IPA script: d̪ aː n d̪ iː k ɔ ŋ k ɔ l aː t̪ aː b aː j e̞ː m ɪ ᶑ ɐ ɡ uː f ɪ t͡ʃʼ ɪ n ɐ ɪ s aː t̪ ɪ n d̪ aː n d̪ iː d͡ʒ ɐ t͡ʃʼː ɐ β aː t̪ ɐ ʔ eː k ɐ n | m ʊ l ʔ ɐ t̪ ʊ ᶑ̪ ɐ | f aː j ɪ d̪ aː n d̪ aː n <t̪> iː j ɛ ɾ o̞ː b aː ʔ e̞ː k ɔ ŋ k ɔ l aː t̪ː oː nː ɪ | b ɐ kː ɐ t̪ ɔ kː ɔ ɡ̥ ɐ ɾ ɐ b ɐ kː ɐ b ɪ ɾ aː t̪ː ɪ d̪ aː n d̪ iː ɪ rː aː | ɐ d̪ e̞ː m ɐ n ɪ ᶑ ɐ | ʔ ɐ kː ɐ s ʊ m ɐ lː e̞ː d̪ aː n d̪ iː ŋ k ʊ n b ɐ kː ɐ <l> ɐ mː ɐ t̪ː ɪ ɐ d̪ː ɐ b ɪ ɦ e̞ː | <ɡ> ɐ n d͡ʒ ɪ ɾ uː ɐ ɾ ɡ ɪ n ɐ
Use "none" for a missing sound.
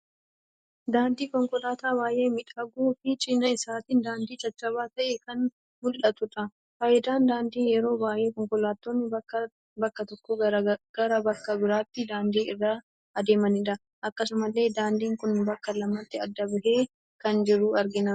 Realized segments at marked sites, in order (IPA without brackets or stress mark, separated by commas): d̪, l, k